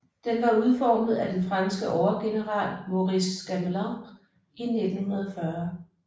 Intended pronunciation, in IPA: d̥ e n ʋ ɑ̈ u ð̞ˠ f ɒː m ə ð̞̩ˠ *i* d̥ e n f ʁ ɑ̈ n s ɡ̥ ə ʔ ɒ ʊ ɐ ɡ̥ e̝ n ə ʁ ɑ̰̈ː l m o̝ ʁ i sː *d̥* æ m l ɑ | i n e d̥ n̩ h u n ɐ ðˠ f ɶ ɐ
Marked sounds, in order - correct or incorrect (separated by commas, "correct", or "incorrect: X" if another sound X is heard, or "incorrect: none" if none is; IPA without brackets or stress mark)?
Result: incorrect: æ, incorrect: ɡ̥